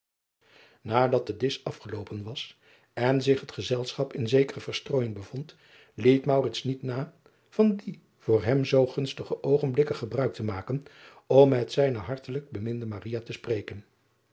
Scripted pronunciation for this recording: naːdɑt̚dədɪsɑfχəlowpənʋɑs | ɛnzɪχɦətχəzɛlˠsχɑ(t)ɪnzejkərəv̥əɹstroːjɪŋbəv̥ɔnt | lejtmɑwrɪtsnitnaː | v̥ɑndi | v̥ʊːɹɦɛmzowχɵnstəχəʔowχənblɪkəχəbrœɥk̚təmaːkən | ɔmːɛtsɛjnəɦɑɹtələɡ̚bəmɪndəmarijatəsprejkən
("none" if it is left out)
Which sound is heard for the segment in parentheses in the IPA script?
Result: p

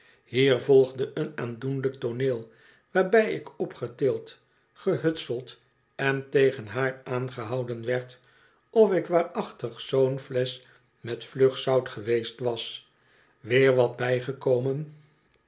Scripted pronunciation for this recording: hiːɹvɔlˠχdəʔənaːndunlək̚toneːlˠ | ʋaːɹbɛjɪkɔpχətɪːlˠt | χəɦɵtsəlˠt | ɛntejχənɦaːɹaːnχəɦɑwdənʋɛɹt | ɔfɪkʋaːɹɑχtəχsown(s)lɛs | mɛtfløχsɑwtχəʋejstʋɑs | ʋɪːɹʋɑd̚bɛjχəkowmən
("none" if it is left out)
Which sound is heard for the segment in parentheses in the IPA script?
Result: f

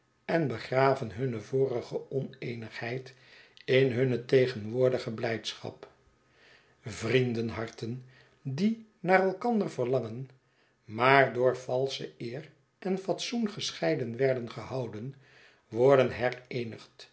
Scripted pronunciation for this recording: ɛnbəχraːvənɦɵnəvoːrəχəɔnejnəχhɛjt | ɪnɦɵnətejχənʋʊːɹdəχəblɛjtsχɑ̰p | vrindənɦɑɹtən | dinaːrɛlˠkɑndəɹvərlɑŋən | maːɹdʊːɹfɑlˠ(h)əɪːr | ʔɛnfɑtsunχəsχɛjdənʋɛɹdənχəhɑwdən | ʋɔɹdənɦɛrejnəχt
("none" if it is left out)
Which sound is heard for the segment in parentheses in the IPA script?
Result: s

